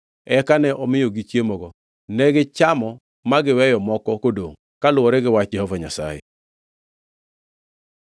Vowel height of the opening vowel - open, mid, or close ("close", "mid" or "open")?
mid